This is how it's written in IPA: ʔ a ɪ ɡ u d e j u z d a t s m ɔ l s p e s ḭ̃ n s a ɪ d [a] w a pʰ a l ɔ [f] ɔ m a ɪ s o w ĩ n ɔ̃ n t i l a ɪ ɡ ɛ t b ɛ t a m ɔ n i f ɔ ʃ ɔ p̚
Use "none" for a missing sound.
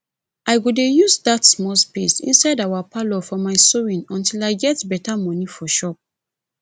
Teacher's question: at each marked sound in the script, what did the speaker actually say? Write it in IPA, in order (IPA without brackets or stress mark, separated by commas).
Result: a, f